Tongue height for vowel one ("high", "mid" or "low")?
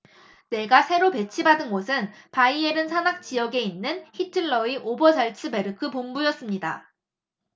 mid